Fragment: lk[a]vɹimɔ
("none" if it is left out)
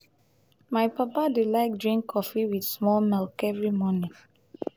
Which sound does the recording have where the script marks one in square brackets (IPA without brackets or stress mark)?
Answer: ɛ